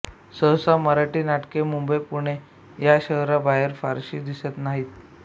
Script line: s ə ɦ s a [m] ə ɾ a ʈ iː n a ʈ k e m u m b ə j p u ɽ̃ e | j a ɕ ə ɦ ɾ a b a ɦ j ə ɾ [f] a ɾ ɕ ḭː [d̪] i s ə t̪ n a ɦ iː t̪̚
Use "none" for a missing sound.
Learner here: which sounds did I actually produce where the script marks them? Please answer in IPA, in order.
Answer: m, f, d̪

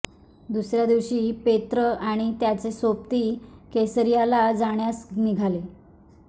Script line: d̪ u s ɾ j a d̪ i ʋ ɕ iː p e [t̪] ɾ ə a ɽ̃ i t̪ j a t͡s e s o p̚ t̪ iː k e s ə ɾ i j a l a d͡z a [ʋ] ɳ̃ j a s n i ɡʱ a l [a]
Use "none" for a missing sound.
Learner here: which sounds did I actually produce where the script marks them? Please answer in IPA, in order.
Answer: t̪, none, e

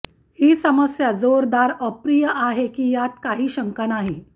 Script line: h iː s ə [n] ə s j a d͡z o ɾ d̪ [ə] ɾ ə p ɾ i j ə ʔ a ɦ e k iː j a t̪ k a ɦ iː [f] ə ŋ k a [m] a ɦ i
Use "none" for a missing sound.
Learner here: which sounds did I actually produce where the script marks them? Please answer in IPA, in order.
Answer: m, a, ɕ, n

